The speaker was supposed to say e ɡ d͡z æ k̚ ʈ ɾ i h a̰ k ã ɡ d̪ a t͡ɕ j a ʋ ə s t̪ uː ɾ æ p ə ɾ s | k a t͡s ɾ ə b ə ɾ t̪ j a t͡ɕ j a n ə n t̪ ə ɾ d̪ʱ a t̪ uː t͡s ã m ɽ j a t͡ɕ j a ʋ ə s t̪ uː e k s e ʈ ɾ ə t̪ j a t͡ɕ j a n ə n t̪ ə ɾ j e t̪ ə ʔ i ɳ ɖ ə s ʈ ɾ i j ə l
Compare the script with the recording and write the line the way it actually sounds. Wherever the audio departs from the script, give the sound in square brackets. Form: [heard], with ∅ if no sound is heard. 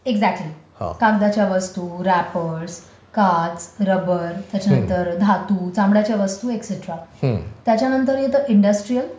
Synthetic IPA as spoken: e ɡ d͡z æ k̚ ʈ [l] i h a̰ k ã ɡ d̪ a t͡ɕ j a ʋ ə s t̪ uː ɾ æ p ə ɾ s | k a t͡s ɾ ə b ə ɾ t̪ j a t͡ɕ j a n ə n t̪ ə ɾ d̪ʱ a t̪ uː t͡s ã m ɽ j a t͡ɕ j a ʋ ə s t̪ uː e k s e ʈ ɾ [a] t̪ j a t͡ɕ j a n ə n t̪ ə ɾ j e t̪ ə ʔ i ɳ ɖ ə s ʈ ɾ i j ə l